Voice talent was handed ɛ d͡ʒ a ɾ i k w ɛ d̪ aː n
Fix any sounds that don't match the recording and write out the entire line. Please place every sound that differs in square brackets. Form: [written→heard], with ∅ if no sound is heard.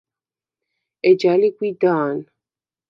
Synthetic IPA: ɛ d͡ʒ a [ɾ→l] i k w [ɛ→i] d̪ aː n